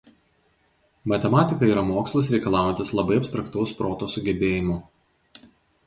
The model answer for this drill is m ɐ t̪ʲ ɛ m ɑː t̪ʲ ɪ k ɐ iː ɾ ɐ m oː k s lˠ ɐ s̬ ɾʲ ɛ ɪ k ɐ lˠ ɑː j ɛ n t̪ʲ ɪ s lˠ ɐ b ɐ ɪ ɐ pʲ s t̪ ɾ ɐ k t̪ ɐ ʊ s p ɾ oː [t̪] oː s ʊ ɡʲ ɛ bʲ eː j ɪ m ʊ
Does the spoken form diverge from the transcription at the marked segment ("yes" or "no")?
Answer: no